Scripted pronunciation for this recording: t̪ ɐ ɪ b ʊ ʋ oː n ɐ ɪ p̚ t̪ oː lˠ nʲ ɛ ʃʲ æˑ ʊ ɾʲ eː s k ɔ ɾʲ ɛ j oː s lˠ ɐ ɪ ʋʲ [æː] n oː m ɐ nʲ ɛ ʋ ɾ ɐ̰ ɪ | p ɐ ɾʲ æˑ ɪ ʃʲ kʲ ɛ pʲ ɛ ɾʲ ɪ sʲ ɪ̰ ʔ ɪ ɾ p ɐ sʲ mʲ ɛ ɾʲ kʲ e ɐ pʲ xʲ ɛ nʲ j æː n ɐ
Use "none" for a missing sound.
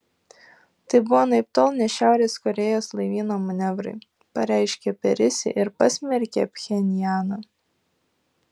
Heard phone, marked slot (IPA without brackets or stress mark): iː